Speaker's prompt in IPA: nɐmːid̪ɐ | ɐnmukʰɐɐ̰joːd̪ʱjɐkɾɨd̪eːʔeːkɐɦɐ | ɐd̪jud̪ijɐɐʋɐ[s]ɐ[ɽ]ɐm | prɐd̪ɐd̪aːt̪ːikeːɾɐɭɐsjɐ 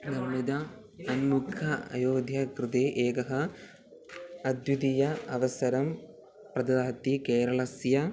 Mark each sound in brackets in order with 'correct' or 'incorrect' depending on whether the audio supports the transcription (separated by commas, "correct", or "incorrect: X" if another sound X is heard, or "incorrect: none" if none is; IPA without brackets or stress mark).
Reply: correct, incorrect: ɾ